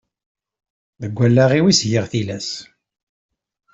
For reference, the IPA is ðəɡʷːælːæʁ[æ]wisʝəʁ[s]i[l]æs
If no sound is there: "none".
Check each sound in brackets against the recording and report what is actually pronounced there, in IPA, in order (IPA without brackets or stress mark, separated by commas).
i, θ, l